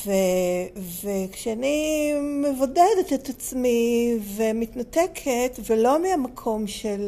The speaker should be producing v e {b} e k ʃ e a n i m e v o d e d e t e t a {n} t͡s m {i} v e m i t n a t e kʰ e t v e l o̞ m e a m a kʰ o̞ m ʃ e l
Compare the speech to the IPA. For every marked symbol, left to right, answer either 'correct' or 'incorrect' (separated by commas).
incorrect, incorrect, correct